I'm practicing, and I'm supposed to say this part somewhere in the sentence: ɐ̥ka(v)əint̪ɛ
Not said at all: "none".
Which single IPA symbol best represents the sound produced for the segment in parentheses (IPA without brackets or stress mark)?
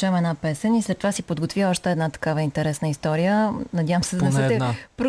v